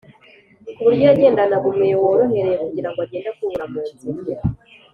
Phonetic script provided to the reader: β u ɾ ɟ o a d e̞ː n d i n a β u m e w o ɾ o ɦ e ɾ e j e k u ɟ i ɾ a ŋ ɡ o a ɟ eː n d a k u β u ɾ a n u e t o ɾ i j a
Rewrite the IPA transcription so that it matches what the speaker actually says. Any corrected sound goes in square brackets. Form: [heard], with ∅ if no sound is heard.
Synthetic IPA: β u ɾ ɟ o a [ɟ] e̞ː n d [a] n a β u m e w o ɾ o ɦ e ɾ e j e k u ɟ i ɾ a ŋ ɡ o a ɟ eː n d a k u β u ɾ a [m] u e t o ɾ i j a